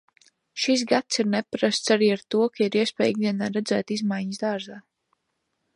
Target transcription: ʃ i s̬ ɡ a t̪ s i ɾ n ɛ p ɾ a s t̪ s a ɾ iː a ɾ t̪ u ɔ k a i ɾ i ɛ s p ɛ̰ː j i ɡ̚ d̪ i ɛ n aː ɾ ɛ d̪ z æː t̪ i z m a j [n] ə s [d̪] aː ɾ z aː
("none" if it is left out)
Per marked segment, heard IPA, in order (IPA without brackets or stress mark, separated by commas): ɲ, d̪